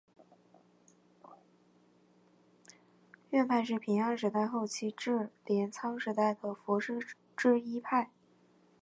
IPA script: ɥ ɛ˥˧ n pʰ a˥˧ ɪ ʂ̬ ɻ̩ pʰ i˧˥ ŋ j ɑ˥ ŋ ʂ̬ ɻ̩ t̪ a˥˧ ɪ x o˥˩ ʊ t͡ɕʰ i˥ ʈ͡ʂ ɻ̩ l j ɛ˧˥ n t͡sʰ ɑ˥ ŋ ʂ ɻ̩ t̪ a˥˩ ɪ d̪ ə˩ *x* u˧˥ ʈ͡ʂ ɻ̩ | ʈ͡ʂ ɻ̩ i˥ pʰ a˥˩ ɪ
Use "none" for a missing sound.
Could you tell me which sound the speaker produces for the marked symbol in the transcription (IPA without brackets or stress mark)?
f